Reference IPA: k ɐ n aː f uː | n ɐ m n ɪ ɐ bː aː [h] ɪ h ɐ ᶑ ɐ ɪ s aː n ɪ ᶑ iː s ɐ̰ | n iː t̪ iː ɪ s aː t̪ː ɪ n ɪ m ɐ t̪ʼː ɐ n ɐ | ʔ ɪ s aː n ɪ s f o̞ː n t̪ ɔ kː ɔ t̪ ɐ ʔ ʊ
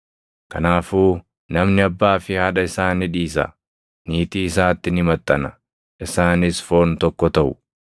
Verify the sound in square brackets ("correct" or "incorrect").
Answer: incorrect